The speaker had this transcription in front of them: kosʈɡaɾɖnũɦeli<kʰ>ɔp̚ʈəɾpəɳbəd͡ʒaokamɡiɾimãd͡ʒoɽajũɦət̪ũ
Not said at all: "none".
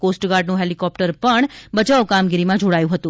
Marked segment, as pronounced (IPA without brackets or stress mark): k